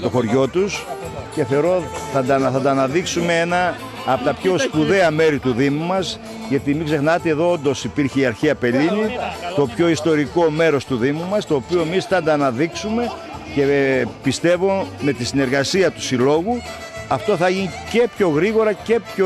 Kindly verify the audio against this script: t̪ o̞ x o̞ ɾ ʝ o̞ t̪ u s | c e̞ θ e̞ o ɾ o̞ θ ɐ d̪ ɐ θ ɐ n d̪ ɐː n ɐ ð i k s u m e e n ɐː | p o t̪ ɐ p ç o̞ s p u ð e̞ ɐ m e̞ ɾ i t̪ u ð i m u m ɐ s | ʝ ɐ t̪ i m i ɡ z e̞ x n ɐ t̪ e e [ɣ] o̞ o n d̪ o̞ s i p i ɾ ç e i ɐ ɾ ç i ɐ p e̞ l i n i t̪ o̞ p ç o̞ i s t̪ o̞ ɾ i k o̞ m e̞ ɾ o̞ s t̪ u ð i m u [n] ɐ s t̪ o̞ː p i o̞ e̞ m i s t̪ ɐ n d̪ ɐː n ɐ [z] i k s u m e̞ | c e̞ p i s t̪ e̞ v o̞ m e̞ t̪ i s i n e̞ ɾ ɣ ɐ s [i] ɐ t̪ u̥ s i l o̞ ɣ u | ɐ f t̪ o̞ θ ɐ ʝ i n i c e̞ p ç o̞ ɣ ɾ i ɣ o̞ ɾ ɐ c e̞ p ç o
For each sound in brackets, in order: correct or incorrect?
incorrect, incorrect, incorrect, correct

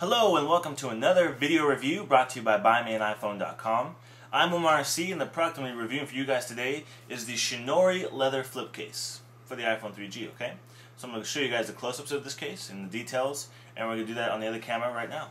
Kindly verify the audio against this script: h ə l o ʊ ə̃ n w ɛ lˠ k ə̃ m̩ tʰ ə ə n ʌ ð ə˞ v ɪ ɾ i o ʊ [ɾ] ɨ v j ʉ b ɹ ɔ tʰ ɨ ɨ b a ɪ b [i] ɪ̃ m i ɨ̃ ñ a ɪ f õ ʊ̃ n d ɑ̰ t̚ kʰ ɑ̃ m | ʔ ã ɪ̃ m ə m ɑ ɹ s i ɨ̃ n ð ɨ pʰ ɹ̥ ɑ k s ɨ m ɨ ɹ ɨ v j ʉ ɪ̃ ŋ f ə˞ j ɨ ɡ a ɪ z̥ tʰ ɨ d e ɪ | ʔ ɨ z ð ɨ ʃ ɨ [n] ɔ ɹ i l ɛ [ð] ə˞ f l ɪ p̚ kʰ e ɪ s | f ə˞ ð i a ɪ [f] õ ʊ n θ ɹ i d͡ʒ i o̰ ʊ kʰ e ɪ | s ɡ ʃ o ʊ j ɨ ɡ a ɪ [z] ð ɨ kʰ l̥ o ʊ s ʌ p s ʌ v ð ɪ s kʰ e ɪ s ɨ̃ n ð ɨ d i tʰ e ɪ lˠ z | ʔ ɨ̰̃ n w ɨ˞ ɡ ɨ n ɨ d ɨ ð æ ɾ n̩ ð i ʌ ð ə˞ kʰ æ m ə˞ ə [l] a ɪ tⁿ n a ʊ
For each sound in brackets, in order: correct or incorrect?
incorrect, incorrect, correct, correct, correct, correct, incorrect

